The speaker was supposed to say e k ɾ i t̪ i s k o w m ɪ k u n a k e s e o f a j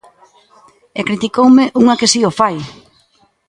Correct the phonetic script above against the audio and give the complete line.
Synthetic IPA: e k ɾ i t̪ i k o w m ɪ ʔ u ŋ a k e s i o f a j